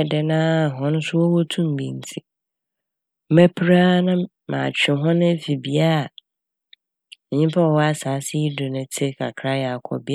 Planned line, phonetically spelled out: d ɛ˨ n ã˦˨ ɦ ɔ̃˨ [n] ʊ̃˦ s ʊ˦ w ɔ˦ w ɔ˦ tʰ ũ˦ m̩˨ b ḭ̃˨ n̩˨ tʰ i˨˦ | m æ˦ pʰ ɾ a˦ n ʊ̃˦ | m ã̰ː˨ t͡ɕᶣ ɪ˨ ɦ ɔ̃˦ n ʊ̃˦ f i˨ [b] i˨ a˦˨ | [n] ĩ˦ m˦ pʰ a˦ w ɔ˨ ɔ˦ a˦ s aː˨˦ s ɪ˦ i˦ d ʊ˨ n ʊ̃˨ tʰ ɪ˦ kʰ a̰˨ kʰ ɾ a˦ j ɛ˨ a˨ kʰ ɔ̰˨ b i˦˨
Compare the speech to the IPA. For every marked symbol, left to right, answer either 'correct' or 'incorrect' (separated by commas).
correct, correct, incorrect